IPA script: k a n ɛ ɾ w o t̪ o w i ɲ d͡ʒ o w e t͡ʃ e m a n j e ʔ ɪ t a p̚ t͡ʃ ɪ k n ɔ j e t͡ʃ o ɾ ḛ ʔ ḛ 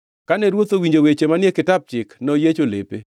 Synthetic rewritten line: k a n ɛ ɾ w o t̪ o w i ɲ d͡ʒ o w e t͡ʃ e m a n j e k ɪ t a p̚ t͡ʃ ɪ k n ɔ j e t͡ʃ o l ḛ p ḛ